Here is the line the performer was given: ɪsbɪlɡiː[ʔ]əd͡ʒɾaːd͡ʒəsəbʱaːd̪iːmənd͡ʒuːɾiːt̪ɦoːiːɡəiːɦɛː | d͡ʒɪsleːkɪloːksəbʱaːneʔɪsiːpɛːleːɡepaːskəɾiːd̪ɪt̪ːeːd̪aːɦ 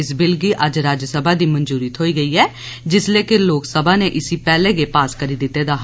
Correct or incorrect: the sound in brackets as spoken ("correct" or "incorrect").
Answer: correct